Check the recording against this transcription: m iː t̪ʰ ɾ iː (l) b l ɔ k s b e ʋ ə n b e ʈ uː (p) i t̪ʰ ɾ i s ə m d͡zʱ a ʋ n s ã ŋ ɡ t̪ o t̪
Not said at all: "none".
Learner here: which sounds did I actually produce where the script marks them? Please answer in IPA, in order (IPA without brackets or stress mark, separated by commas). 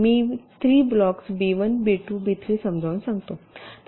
none, b